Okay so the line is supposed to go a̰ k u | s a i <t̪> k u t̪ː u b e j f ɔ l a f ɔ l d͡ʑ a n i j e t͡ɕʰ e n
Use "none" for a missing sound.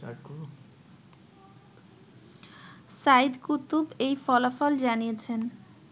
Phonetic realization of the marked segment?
d̪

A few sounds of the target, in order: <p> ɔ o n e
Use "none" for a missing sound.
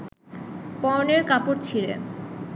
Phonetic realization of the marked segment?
p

